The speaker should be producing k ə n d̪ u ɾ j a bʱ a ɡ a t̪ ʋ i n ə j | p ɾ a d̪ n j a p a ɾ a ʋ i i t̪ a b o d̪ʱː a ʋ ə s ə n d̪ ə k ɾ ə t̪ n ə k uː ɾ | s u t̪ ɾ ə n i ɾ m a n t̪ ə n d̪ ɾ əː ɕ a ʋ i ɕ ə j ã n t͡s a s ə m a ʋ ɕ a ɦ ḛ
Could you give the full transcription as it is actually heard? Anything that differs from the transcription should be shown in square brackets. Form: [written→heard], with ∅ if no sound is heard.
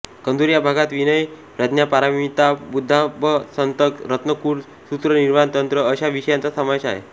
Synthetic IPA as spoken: k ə n d̪ u ɾ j a bʱ a ɡ a t̪ ʋ i n ə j | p ɾ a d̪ n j a p a ɾ a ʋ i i t̪ a b [o→u] d̪ʱː a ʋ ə s ə n [d̪→t̪] ə k ɾ ə t̪ n ə k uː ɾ | s u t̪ ɾ ə n i ɾ m a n t̪ ə n [d̪→t̪] ɾ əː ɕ a ʋ i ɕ ə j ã n t͡s a s ə m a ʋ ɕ a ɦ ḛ